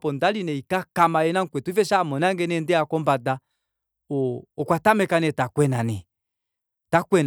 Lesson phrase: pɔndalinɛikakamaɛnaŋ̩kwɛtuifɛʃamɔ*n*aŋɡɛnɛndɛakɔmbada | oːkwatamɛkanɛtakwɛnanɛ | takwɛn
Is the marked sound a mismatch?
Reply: no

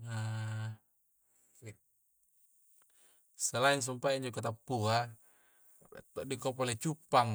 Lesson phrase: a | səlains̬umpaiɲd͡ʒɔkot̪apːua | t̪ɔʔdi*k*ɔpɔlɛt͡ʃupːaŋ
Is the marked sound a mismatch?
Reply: no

